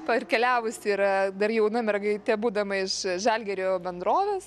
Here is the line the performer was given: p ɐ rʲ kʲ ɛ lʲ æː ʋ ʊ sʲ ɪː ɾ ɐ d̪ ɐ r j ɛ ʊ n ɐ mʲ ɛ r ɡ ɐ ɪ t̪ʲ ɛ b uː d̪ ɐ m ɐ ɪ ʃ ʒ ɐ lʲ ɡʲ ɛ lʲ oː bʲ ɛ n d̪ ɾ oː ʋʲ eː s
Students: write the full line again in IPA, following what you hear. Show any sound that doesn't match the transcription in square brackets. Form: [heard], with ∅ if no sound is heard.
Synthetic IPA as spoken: p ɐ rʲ kʲ ɛ lʲ æː ʋ ʊ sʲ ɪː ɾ ɐ d̪ ɐ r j ɛ ʊ n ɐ mʲ ɛ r ɡ ɐ ɪ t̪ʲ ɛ b uː d̪ ɐ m ɐ ɪ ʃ ʒ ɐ lʲ ɡʲ ɛ [ɾʲ] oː bʲ ɛ n d̪ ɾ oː ʋʲ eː s